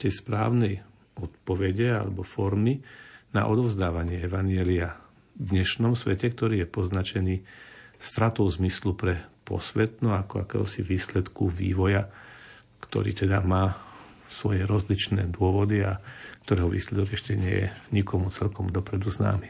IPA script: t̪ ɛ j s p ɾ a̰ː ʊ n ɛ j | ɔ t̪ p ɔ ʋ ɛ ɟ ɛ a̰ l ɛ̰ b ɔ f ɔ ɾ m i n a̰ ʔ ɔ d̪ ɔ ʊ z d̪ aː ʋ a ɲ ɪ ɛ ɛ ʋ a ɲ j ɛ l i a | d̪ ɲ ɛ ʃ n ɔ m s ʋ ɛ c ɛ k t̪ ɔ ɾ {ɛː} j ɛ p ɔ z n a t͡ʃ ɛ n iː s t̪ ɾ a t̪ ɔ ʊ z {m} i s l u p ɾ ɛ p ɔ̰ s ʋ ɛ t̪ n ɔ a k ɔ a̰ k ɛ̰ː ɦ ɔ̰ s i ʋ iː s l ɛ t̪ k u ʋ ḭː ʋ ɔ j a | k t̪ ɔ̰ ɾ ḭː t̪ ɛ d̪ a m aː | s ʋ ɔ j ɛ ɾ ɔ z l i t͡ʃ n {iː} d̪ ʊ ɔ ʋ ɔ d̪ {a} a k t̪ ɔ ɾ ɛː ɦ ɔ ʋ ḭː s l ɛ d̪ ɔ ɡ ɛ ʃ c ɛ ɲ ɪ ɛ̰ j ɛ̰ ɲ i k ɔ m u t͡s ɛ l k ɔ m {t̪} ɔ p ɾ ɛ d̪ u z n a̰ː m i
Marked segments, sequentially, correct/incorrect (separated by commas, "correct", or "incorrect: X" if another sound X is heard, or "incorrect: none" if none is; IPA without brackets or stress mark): incorrect: iː, correct, incorrect: ɛː, incorrect: i, incorrect: d̪